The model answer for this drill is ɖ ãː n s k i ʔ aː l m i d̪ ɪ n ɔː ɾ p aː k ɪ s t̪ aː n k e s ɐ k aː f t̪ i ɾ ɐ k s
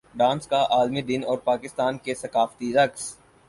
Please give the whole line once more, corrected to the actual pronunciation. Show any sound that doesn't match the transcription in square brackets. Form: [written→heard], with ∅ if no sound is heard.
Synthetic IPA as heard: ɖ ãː n s k [i→a] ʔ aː l m i d̪ ɪ n ɔː ɾ p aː k ɪ s t̪ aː n k e s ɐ k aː f t̪ i ɾ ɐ k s